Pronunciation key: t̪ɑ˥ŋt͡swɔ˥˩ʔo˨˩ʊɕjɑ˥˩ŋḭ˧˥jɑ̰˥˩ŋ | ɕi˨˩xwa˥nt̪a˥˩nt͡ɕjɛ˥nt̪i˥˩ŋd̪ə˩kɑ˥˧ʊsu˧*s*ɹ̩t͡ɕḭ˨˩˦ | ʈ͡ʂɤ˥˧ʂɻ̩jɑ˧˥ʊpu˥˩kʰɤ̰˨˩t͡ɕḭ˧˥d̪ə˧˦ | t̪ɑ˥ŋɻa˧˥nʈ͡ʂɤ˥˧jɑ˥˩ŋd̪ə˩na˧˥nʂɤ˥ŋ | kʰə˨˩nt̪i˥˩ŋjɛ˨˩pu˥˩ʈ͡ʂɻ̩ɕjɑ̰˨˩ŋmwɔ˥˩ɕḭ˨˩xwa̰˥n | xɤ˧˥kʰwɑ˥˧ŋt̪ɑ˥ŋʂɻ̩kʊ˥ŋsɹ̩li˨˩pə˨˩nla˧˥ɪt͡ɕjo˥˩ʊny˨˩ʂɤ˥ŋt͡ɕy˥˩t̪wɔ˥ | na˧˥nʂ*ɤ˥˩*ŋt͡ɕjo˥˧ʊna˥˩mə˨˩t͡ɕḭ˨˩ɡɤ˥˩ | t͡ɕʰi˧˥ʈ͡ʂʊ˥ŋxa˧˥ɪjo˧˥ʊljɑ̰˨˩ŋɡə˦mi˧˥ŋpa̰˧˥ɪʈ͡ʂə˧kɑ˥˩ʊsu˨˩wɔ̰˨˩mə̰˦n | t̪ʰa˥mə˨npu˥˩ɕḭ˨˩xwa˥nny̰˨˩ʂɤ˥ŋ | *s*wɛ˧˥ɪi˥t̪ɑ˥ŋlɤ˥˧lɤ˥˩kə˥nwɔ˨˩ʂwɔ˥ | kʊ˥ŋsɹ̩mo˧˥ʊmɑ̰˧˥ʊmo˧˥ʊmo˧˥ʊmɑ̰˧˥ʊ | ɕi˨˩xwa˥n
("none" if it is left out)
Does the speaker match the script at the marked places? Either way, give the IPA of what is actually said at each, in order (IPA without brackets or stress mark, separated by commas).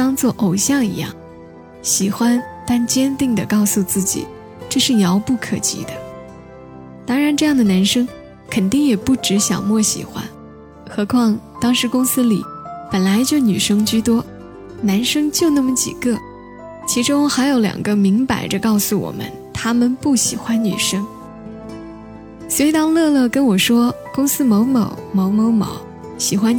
t͡s, ɤ˥, s